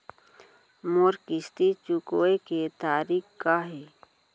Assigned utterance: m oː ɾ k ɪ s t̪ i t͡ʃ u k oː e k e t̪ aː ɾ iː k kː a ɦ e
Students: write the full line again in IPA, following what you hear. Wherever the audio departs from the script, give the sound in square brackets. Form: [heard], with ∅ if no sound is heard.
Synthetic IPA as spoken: m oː ɾ k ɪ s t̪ i t͡ʃ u k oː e k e t̪ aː ɾ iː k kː a ɦ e